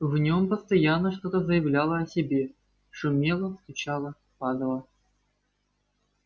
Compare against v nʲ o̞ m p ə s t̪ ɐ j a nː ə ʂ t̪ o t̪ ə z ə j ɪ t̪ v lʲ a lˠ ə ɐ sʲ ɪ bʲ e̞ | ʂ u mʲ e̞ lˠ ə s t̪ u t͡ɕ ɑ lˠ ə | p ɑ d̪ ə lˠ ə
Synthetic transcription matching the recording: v nʲ o̞ m p ə s t̪ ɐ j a nː ə ʂ t̪ o t̪ ə z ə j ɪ v lʲ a lˠ ə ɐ sʲ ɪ bʲ e̞ | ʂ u mʲ e̞ lˠ ə s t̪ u t͡ɕ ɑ lˠ ə | p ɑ d̪ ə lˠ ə